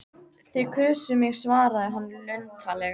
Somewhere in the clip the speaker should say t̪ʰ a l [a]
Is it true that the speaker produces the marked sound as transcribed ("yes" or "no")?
no